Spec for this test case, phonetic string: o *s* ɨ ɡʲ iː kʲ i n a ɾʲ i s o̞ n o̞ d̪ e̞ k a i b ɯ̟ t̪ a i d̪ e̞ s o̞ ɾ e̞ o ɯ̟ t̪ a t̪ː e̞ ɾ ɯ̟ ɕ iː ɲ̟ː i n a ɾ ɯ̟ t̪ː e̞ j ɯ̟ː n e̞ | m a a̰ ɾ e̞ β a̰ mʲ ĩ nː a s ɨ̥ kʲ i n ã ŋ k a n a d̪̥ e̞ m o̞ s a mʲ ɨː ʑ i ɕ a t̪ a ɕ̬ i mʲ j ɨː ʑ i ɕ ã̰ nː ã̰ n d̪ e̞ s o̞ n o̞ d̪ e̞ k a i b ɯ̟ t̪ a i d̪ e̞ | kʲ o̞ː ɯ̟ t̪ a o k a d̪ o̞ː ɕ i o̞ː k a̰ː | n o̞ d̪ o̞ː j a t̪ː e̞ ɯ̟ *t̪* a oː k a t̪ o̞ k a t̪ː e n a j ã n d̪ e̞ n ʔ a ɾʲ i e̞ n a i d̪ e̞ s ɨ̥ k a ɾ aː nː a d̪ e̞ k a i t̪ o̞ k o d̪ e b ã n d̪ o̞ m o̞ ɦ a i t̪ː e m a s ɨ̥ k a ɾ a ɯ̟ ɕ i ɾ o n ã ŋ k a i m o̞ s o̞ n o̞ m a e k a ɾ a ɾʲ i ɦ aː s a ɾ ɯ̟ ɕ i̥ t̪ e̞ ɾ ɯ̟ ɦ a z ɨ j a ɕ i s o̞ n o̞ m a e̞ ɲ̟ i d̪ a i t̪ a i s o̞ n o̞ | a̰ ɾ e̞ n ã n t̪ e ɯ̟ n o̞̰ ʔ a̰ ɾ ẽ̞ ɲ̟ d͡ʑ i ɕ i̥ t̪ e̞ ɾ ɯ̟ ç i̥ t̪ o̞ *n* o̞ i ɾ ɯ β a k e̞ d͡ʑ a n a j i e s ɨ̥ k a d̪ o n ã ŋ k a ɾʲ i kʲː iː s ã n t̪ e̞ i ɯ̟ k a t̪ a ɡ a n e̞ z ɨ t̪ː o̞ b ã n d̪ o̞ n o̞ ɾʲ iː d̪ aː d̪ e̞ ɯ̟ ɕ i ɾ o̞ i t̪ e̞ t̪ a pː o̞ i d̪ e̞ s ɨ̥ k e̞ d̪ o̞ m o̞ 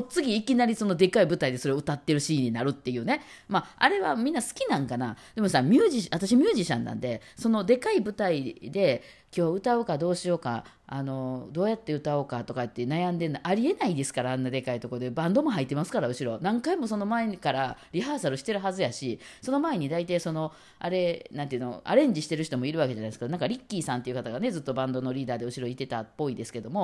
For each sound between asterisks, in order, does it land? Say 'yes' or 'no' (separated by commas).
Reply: no, yes, no